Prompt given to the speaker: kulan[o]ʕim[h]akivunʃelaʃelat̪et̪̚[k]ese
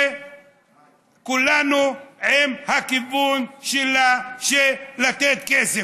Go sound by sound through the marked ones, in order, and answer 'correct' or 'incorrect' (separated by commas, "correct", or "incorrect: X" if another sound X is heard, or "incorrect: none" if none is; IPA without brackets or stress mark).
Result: incorrect: u, correct, correct